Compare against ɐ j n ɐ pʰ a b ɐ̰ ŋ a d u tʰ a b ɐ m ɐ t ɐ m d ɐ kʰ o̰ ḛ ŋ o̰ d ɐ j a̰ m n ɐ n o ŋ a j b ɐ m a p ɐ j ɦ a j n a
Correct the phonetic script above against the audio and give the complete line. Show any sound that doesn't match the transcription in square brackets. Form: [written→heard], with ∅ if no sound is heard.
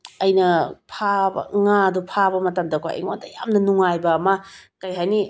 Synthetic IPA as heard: ɐ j n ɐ pʰ a b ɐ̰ ŋ a d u [tʰ→pʰ] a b ɐ m ɐ t ɐ m d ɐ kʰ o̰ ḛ ŋ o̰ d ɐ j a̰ m n ɐ n [o→u] ŋ a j b ɐ m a [p→k] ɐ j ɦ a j n [a→i]